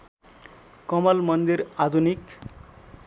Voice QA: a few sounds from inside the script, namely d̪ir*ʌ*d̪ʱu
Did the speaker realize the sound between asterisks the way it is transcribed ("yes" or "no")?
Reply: no